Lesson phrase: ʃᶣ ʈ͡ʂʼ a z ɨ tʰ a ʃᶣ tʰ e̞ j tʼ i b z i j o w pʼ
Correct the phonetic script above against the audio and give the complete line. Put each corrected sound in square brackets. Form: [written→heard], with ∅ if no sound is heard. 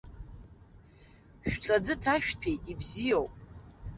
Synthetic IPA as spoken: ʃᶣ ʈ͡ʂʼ a [z→d͡z] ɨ tʰ a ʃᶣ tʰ e̞ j tʼ i b z i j o w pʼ